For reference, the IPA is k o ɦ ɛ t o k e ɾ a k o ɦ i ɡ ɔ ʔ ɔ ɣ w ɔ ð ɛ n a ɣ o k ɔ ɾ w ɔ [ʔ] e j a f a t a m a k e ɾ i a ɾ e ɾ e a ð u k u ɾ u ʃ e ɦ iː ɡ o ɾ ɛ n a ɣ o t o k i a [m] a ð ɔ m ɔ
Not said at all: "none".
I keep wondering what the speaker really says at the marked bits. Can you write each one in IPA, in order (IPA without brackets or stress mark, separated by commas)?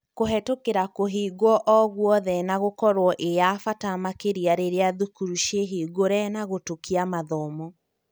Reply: ʔ, m